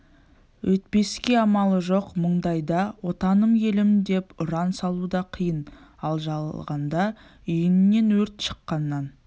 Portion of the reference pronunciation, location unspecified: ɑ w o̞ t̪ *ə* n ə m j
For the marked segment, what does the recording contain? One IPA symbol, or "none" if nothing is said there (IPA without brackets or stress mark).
ɑ